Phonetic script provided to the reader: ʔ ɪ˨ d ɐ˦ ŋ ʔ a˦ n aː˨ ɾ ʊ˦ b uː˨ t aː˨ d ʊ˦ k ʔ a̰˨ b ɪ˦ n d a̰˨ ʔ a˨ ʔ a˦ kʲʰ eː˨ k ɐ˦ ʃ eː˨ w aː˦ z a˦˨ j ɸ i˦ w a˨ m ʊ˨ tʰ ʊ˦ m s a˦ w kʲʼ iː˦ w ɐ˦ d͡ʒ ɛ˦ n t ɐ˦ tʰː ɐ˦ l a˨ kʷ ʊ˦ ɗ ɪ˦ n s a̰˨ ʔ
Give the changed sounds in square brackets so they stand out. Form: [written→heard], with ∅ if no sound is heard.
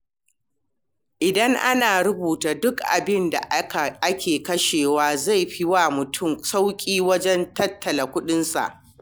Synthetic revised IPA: ʔ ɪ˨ d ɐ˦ ŋ ʔ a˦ n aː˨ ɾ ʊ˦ b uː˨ t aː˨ d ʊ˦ k ʔ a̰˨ b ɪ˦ n d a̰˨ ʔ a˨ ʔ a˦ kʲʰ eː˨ k ɐ˦ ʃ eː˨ w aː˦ z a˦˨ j ɸ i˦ w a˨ m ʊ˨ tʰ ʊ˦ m s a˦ w kʲʼ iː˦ w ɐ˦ d͡ʒ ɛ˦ n t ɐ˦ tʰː [ɐ˦→ɐ˨] l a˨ kʷ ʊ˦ ɗ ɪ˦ n s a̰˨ ʔ